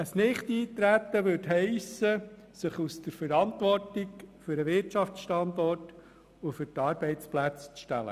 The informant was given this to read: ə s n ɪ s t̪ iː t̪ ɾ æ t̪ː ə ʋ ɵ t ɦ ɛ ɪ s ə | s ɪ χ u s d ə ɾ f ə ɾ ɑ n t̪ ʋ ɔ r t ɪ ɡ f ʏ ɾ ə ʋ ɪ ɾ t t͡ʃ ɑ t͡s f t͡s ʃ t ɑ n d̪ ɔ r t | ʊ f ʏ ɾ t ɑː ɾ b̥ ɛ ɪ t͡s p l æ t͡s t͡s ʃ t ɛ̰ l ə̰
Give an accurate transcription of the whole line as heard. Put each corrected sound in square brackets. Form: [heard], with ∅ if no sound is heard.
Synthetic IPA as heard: ə s n ɪ [χ] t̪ iː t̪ ɾ æ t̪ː ə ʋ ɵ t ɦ ɛ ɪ s ə | s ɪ χ u s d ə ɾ f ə ɾ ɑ n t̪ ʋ ɔ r t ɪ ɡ f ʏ ɾ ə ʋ ɪ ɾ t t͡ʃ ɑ [∅] f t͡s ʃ t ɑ n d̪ ɔ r t | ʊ f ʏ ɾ t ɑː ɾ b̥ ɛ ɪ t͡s p l æ t͡s t͡s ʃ t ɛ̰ l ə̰